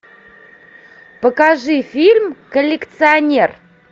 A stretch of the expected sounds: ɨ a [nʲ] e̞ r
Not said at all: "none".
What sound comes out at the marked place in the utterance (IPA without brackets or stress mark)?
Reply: nʲ